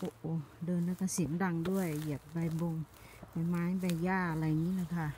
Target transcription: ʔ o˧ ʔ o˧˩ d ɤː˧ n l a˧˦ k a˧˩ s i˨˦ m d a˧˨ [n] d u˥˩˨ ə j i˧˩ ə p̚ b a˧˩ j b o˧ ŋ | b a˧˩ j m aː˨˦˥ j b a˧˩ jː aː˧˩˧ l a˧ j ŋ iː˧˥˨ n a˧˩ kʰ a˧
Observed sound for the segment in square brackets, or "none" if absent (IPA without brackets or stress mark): ŋ